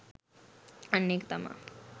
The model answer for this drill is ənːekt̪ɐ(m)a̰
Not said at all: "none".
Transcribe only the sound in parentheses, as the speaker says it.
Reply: m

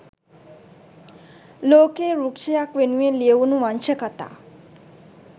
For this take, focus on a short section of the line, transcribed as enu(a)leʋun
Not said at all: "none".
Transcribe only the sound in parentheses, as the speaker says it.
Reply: e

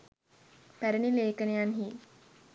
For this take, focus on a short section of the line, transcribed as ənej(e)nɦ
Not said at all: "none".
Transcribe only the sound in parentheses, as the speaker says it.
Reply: a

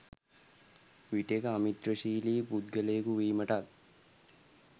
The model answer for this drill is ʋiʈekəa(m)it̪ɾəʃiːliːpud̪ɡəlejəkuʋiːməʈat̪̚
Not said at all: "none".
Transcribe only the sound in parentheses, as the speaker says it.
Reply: m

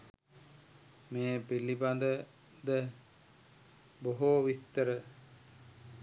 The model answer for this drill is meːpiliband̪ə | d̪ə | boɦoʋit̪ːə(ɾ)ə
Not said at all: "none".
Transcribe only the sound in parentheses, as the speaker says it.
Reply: ɾ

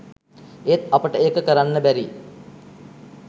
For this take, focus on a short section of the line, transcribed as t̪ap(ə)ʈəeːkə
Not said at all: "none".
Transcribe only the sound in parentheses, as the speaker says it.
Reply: ə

